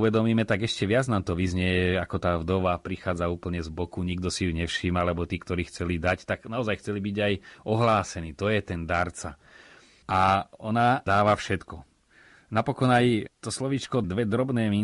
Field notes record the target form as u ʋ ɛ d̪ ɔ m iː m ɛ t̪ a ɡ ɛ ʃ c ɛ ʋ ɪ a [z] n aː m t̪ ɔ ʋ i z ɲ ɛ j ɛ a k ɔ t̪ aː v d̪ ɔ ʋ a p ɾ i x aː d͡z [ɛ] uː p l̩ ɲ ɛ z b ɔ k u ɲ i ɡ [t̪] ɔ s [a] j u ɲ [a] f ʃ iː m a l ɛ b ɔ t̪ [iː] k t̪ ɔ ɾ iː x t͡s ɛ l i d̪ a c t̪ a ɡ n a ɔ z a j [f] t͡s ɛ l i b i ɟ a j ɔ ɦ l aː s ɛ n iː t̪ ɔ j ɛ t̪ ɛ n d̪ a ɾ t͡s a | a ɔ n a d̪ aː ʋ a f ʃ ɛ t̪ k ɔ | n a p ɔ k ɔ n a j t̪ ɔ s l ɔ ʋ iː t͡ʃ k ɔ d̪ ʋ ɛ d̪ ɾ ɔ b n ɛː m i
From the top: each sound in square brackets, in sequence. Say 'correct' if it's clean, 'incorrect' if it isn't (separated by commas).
incorrect, incorrect, incorrect, incorrect, incorrect, correct, incorrect